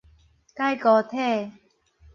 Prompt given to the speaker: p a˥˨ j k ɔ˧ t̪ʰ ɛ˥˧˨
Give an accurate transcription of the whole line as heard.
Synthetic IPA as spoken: k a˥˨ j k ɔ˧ t̪ʰ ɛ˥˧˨